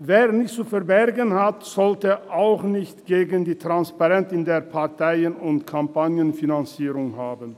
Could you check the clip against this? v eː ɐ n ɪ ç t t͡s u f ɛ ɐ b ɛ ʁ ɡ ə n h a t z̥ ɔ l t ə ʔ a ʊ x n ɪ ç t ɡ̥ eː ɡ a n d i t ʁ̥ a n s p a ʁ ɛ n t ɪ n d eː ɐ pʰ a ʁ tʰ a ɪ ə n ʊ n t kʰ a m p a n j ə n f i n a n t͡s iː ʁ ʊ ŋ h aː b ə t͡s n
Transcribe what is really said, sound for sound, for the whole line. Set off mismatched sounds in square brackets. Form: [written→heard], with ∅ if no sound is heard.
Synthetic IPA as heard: v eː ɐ n ɪ ç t t͡s u f ɛ ɐ b ɛ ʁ ɡ ə n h a t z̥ ɔ l t ə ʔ a ʊ x n ɪ ç t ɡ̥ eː ɡ [a→ə] n d [i→iː] t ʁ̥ a n s p a ʁ ɛ n t ɪ n d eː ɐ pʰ a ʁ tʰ a ɪ ə n ʊ n t kʰ a m p a n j ə n f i n a n t͡s iː ʁ ʊ ŋ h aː b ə [t͡s→∅] n